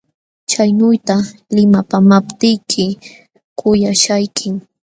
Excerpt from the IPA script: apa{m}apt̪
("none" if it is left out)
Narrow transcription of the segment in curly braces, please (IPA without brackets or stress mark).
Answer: m